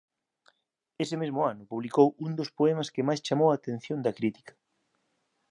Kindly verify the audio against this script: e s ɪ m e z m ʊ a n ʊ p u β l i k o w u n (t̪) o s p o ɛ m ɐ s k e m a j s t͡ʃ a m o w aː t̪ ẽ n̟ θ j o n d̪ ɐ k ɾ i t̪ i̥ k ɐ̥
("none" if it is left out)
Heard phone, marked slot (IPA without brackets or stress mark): d̪